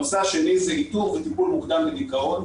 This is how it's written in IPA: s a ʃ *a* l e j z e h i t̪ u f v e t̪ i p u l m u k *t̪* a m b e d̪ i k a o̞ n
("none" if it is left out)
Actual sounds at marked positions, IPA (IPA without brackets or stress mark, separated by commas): e, d̪